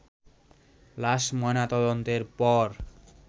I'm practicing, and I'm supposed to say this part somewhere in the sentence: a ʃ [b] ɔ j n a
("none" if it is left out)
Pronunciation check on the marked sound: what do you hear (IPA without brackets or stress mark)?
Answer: m